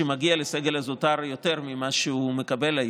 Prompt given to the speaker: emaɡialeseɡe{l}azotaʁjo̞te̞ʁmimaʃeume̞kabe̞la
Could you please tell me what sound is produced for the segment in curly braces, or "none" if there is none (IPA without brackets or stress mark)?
l